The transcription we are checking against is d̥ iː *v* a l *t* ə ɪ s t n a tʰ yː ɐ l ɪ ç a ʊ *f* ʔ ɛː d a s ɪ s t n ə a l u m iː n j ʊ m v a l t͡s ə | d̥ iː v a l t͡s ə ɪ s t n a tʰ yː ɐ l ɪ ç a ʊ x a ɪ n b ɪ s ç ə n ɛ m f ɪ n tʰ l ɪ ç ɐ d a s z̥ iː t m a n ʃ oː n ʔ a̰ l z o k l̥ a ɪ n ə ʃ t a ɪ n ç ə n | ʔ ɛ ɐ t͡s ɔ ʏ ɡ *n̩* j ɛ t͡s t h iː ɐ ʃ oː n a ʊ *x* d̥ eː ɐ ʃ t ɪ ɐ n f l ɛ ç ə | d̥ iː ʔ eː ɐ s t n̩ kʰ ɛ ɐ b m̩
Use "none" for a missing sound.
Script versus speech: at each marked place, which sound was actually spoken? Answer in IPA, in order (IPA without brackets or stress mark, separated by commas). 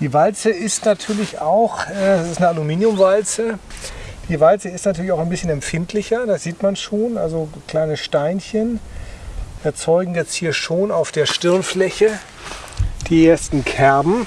v, t͡s, x, ŋ̩, f